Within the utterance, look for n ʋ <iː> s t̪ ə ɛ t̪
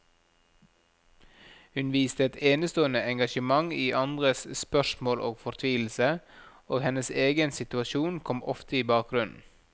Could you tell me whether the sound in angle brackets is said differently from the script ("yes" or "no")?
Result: no